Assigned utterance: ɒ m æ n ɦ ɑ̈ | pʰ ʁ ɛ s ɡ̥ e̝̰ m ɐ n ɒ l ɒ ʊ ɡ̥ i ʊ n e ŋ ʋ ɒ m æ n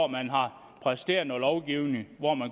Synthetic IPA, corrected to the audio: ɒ m æ n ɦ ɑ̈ | pʰ ʁ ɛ s d̥ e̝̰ ɐ n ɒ l ɒ ʊ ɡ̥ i ʊ n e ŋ ʋ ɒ m æ n